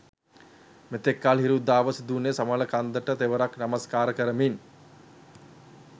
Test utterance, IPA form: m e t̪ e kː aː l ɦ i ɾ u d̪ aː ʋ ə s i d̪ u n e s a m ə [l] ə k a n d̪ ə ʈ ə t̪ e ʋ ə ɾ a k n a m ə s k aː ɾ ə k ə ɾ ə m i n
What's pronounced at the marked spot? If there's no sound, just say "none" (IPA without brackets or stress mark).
l